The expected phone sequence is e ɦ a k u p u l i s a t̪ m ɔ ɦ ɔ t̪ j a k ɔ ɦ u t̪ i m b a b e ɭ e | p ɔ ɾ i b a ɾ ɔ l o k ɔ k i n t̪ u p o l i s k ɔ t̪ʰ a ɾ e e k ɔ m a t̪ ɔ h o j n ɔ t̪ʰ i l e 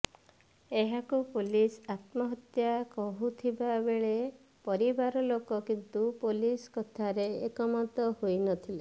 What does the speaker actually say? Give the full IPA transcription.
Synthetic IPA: e ɦ a k u p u l i s a t̪ m ɔ ɦ ɔ t̪ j a k ɔ ɦ u t̪ʰ i b a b e ɭ e | p ɔ ɾ i b a ɾ ɔ l o k ɔ k i n t̪ u p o l i s k ɔ t̪ʰ a ɾ e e k ɔ m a t̪ ɔ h o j n ɔ t̪ʰ i l e